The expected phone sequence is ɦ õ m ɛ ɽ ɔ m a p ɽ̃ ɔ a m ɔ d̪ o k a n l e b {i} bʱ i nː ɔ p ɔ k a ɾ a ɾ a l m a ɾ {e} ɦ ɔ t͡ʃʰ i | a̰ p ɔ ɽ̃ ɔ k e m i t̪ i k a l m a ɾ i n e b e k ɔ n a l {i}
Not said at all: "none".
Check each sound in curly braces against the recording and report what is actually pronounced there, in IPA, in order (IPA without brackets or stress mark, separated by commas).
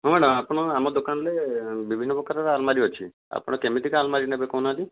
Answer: i, i, i